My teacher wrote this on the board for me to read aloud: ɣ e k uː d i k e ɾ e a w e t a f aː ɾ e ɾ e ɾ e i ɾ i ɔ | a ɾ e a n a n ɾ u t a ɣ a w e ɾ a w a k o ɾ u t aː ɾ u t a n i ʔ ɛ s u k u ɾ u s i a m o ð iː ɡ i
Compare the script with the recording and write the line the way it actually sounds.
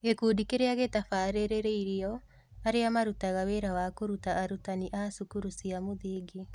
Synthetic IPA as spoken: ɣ e k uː d i k e ɾ e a ɣ e t a f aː ɾ e ɾ e ɾ e i ɾ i ɔ | a ɾ e a m a ɾ u t a ɣ a w e ɾ a w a k o ɾ u t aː ɾ u t a n i ʔ a s u k u ɾ u s i a m o ð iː ɡ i

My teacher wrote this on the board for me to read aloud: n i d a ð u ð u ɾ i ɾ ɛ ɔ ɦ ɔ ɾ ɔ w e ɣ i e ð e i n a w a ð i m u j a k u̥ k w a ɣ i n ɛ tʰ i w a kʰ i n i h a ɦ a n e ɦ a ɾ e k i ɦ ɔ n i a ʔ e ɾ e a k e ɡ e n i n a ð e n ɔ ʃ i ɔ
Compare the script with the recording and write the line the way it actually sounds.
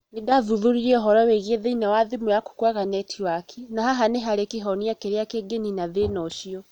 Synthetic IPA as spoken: n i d a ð u ð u ɾ i ɾ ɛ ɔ ɦ ɔ ɾ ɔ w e ɣ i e ð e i n a w a ð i m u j a k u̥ k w a ɣ a n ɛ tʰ i w a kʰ i n a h a ɦ a n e ɦ a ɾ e k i ɦ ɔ n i a k e ɾ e a k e ɡ e n i n a ð e n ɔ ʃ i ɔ

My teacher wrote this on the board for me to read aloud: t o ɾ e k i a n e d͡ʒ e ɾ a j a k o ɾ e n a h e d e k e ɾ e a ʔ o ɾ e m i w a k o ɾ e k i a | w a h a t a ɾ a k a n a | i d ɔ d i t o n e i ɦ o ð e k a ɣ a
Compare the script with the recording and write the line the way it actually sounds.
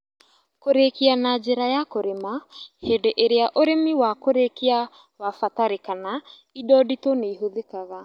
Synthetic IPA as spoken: k o ɾ e k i a n a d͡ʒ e ɾ a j a k o ɾ e m a h e d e ʔ e ɾ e a ʔ o ɾ e m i w a k o ɾ e k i a | w a f a t a ɾ e k a n a | i d ɔ d i t o n e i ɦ o ð e k a ɣ a

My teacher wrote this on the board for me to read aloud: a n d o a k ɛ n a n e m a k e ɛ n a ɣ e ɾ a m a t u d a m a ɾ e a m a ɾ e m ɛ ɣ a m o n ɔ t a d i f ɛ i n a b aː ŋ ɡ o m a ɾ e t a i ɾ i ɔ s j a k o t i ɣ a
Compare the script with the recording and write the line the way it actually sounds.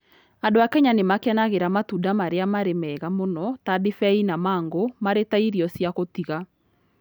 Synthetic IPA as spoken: a n d o a k ɛ ɲ a n e m a k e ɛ n a ɣ e ɾ a m a t u d a m a ɾ e a m a ɾ e m ɛ ɣ a m o n ɔ t a d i f ɛ i n a m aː ŋ ɡ o m a ɾ e t a i ɾ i ɔ s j a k o t i ɣ a

